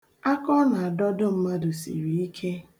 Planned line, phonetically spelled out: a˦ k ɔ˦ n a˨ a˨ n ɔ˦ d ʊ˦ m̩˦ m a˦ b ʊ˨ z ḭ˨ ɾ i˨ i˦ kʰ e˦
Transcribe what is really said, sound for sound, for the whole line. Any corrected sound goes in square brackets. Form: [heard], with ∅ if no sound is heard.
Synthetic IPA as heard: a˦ k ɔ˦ n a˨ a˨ [d] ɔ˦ d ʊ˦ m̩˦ m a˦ [d] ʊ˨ [s] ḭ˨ ɾ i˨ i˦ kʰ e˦